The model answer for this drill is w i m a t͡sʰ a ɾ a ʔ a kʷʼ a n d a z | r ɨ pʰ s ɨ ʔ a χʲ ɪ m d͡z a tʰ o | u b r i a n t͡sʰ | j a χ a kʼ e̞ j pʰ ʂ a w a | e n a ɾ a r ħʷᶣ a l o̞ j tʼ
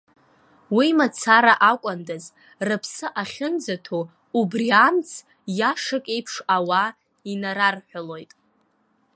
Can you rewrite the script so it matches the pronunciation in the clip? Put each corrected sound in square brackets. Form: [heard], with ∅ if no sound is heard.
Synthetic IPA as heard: w i m a t͡sʰ a ɾ a ʔ a kʷʼ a n d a z | r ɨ pʰ s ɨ ʔ a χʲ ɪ [n] d͡z a tʰ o | u b r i a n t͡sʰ | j a [ʂ] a kʼ e̞ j pʰ ʂ a w a | [i] n a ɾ a r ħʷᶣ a l o̞ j tʼ